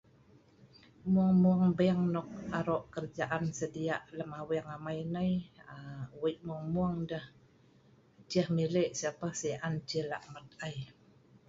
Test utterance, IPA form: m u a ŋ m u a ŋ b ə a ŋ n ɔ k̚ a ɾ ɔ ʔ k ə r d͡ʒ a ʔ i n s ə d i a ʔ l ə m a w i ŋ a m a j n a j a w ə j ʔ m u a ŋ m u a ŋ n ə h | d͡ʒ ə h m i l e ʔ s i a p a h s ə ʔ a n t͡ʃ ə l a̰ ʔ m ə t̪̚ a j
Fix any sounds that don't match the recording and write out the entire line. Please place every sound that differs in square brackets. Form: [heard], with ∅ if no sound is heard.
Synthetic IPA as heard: m u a ŋ m u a ŋ b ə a ŋ n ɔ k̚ a ɾ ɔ ʔ k ə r d͡ʒ a ʔ [a] n s ə d i a ʔ l ə m a w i ŋ a m a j n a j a w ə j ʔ m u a ŋ m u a ŋ [d] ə h | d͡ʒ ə h m i l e ʔ s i a p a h s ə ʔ a n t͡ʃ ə l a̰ ʔ m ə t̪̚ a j